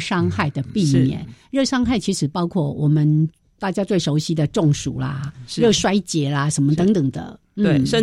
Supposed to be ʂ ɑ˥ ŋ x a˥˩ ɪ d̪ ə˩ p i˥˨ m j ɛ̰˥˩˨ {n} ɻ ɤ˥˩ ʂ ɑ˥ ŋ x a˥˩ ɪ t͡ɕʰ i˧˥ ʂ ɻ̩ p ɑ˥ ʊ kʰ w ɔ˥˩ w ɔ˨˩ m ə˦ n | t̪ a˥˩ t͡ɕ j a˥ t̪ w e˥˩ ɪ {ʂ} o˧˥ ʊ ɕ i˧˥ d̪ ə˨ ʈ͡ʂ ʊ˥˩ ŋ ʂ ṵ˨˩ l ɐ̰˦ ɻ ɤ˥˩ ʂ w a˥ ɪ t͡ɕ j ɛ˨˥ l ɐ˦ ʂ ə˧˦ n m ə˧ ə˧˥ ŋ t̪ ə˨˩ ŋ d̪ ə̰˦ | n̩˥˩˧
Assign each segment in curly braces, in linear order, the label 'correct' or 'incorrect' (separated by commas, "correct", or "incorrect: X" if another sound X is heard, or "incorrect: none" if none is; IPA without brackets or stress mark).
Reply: correct, correct